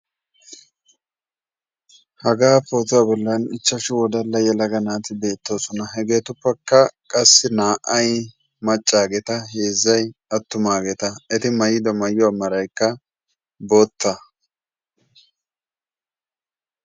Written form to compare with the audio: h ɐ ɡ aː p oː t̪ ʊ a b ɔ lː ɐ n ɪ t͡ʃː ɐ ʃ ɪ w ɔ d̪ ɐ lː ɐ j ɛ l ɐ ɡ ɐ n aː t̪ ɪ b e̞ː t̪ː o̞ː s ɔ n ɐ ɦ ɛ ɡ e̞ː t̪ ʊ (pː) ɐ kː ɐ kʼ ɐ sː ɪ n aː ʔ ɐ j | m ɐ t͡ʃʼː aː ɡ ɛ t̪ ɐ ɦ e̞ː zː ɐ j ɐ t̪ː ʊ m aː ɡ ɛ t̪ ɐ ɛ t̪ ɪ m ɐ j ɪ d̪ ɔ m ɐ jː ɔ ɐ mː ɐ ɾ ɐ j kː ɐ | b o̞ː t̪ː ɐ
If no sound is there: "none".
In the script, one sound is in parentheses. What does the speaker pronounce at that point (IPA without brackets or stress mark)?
pː